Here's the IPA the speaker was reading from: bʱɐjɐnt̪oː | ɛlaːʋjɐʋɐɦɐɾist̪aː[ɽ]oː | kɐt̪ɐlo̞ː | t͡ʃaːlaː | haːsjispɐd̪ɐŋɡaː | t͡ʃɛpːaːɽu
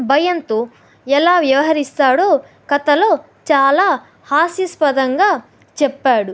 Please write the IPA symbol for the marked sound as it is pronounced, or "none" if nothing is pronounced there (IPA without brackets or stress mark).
ɽ